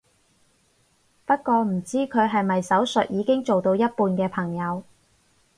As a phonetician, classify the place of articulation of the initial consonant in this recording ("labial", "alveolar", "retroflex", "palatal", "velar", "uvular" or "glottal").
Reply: labial